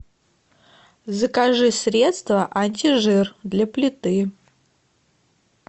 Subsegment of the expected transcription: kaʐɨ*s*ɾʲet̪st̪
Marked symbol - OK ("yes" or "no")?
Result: yes